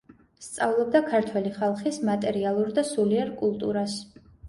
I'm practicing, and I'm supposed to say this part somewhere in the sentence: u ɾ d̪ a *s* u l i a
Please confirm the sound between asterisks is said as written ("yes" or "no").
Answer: yes